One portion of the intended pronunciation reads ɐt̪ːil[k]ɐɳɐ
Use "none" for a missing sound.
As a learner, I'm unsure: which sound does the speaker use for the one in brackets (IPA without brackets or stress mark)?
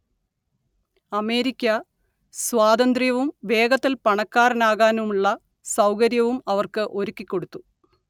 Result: p